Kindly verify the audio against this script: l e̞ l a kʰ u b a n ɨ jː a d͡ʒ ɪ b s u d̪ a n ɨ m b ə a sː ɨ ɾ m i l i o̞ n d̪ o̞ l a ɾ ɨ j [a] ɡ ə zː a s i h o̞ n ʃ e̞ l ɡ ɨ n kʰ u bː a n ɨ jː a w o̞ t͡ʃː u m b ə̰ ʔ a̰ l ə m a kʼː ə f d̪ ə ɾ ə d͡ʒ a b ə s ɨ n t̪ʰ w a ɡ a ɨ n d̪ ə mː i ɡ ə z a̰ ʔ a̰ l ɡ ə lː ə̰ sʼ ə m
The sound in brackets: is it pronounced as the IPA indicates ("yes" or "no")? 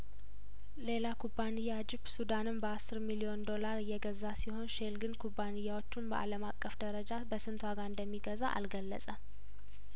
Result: no